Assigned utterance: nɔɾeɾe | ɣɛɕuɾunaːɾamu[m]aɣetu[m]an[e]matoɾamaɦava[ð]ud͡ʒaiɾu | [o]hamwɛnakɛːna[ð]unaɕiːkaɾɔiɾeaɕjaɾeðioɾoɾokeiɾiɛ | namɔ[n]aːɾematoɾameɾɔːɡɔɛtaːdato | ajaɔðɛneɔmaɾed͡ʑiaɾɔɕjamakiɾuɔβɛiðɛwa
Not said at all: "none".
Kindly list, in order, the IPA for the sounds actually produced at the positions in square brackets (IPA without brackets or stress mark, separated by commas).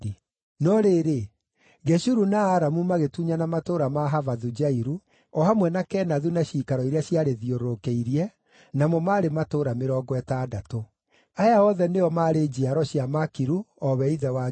m, ɲ, a, ð, ɔ, ð, m